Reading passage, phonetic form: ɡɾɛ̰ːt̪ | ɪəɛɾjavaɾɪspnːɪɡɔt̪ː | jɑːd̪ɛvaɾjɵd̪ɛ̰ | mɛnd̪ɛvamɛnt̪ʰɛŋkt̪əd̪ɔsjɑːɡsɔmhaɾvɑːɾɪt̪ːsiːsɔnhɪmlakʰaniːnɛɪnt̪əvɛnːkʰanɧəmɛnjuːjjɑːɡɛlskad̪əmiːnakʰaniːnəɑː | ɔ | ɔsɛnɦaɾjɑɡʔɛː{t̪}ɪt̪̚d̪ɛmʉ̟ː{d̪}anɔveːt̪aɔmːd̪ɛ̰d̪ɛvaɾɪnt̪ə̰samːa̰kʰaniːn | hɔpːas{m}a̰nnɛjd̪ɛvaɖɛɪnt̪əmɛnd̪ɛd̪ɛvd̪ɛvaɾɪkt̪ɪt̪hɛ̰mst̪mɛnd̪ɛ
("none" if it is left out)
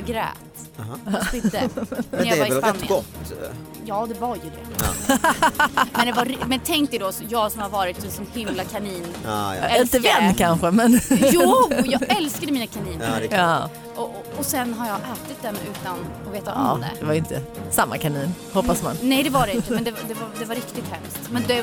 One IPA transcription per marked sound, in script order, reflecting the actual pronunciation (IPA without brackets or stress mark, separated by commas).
t̪, t̪, m